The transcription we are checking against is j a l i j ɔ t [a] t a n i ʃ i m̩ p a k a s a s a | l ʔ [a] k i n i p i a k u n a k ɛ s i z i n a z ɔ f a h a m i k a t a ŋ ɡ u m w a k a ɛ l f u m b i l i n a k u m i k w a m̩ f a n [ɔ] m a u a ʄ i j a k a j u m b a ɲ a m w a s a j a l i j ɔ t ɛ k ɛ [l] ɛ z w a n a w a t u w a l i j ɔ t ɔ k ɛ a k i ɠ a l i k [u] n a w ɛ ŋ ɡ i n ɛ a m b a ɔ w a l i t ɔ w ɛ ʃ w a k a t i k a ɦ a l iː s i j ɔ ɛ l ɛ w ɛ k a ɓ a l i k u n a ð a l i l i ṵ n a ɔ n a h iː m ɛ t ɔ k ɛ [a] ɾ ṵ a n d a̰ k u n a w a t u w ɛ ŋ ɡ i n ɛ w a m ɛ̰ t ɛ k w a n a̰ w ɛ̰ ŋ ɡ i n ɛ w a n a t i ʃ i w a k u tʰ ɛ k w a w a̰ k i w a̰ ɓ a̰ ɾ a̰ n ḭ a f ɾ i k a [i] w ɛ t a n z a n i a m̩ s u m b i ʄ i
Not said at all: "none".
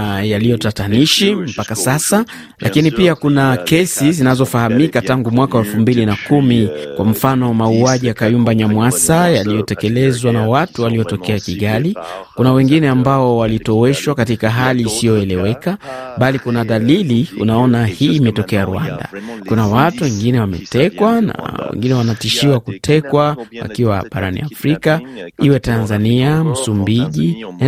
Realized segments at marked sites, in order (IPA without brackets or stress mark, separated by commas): a, a, ɔ, l, u, a, i